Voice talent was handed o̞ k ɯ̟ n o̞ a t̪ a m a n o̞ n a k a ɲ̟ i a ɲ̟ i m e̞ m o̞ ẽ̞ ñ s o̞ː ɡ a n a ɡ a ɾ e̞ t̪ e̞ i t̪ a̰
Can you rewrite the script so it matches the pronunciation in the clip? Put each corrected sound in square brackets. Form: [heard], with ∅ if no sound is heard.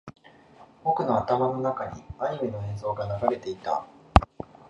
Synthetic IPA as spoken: o̞ k ɯ̟ n o̞ a t̪ a m a n o̞ n a k a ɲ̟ i a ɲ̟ i m e̞ [n] o̞ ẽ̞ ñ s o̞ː ɡ a n a ɡ a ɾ e̞ t̪ e̞ i t̪ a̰